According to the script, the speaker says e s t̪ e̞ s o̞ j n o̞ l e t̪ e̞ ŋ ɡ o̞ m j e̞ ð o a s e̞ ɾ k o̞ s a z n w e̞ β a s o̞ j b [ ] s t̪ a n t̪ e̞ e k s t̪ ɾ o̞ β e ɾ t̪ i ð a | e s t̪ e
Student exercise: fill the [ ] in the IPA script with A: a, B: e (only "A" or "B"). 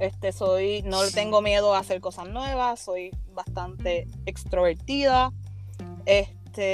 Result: A